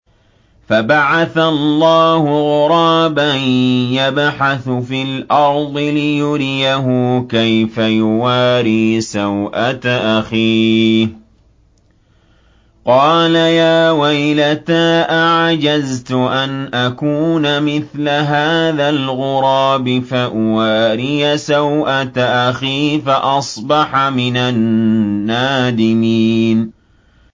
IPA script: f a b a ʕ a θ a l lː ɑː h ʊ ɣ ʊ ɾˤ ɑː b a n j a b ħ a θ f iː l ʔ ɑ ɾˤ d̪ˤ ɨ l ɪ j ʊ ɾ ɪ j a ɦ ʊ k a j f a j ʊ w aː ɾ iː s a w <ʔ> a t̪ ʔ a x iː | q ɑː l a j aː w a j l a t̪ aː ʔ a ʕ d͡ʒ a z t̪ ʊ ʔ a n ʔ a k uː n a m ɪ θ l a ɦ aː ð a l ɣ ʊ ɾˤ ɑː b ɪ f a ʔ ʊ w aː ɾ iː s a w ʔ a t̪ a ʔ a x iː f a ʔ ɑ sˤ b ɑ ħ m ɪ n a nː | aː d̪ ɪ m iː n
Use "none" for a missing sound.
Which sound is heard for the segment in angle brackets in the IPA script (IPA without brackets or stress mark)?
ʔ